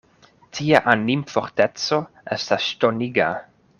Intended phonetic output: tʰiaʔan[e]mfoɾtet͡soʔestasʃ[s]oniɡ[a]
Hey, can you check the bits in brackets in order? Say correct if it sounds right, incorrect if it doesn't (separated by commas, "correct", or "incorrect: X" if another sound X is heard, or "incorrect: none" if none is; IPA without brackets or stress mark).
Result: incorrect: i, incorrect: t, correct